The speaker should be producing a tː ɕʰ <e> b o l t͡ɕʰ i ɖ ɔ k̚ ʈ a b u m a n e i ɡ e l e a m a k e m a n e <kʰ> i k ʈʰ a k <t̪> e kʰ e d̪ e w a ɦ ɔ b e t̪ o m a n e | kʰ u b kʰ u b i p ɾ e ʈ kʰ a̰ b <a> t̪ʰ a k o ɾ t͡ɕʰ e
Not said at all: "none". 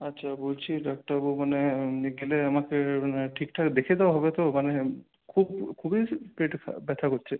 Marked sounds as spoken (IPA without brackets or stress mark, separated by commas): a, ʈʰ, d̪, ɛ